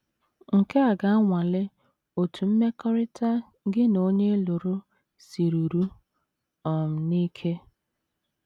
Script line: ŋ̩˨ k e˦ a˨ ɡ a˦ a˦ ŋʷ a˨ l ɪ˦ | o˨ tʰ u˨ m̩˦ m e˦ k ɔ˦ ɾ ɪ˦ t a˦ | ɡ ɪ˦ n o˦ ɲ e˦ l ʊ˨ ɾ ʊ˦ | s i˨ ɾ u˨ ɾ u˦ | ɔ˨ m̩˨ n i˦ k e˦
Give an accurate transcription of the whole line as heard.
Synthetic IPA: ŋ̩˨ k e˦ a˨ ɡ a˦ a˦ ŋʷ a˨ l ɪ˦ | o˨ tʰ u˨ m̩˦ m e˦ k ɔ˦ ɾ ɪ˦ t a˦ | ɡ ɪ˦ n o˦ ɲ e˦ l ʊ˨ ɾ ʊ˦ | s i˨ ɾ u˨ ɾ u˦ | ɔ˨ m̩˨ n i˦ kʰ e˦